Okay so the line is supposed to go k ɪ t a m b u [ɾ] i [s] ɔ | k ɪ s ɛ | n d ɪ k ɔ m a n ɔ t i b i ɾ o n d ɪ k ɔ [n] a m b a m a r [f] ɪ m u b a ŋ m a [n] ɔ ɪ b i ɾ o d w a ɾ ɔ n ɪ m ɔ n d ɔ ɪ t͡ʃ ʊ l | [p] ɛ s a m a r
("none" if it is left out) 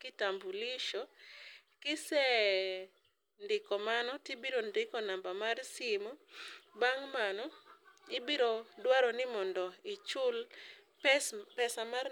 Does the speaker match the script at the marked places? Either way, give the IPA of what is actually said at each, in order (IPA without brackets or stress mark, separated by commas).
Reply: l, ʃ, n, s, n, p